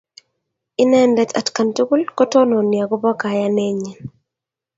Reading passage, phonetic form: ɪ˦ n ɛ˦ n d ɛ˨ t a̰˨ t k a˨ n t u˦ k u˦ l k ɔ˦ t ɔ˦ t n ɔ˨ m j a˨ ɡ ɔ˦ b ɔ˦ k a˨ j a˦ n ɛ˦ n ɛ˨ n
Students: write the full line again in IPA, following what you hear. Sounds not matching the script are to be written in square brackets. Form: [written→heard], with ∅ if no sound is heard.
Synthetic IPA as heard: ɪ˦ n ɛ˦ n d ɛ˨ t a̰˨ t k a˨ n t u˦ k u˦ l k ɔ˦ t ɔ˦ [t→∅] n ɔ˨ [m→n] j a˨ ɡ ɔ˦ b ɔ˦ k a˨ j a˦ n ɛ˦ [n→ɲ] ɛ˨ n